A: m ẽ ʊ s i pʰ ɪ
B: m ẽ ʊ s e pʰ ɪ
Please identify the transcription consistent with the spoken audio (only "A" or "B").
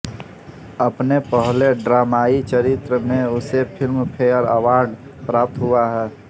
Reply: B